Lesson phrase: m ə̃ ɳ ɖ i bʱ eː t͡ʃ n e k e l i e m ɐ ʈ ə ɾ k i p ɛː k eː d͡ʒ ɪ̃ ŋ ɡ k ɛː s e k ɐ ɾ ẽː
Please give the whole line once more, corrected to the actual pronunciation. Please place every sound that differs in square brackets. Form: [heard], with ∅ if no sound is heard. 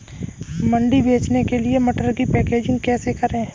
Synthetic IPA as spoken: m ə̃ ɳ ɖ i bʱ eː t͡ʃ n e k e l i e m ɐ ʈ ə ɾ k i p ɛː k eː d͡ʒ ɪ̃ ŋ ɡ k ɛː s e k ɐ ɾ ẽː